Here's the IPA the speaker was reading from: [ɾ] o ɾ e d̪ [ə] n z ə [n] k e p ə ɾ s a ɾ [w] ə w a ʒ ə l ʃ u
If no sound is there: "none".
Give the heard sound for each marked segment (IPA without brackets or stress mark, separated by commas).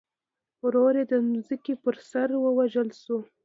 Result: ɾ, ə, none, w